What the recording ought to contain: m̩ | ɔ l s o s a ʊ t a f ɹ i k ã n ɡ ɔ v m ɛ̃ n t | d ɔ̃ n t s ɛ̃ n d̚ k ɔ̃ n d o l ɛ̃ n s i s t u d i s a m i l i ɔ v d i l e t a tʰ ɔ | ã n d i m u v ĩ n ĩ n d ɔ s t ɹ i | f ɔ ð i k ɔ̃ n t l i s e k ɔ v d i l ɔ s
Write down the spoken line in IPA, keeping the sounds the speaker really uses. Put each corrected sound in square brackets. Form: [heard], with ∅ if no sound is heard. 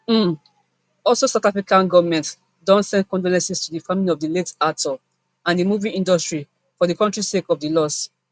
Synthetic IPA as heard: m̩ | ɔ l s o s a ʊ t a f ɹ i k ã n ɡ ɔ v m ɛ̃ n t | d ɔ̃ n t s ɛ̃ n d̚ k ɔ̃ n d o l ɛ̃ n s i s t u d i [f] a m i l i ɔ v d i l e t a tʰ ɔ | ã n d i m u v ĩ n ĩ n d ɔ s t ɹ i | f ɔ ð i k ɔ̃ n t [ɹ] i s e k ɔ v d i l ɔ s